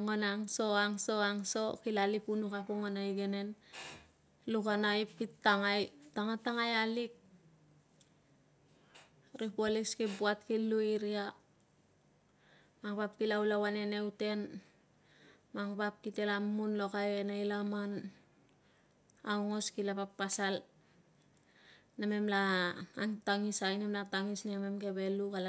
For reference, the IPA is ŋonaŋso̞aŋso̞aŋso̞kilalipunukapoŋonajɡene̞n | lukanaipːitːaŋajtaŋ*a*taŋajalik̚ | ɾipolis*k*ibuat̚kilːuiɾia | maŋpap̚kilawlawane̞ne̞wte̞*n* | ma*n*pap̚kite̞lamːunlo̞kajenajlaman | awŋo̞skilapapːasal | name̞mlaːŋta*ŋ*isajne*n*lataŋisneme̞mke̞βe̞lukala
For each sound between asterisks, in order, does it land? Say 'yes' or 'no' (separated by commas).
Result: yes, yes, yes, no, yes, no